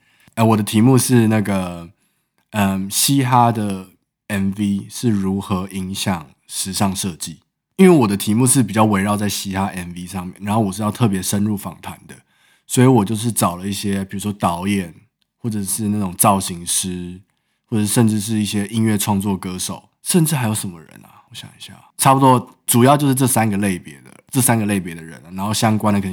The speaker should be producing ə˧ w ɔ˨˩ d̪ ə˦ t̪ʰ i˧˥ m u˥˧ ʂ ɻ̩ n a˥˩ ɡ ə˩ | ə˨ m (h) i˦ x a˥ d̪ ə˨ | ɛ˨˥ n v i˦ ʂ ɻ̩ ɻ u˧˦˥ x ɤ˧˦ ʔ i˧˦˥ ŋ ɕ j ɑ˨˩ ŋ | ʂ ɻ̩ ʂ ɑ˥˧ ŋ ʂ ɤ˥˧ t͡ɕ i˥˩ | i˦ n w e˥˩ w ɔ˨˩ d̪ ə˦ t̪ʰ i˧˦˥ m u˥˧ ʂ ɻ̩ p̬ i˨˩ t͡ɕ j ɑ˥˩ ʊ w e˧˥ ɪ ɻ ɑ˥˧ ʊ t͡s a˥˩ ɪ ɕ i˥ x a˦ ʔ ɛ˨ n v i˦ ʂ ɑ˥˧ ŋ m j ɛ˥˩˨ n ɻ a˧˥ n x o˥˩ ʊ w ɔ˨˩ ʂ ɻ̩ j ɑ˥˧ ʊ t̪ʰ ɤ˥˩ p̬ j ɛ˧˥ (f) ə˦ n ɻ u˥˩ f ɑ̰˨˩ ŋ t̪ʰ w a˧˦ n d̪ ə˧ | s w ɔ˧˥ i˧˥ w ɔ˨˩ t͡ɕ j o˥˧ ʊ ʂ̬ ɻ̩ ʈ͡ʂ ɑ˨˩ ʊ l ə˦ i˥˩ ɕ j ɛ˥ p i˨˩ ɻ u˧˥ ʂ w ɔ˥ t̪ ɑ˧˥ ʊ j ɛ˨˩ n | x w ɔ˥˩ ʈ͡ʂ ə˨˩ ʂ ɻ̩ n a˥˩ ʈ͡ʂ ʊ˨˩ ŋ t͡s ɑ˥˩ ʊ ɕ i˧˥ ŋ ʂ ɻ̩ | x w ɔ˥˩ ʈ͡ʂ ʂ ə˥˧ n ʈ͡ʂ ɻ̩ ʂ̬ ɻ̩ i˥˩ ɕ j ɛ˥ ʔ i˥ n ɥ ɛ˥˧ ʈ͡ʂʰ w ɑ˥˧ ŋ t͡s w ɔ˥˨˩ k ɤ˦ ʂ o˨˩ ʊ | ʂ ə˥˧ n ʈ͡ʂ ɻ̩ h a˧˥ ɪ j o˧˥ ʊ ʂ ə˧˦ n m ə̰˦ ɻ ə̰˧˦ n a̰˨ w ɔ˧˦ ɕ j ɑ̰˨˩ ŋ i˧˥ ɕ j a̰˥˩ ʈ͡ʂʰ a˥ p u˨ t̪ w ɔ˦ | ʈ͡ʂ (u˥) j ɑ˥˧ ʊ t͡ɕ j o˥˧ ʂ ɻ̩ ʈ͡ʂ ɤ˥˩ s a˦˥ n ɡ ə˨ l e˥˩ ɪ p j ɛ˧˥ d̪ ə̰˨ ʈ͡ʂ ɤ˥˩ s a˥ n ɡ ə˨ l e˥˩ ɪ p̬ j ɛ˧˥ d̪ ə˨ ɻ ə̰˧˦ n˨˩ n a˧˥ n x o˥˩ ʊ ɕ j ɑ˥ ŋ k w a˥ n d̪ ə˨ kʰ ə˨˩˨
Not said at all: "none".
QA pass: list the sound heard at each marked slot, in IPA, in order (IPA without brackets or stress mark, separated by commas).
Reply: ɕ, ʂ, u˨˩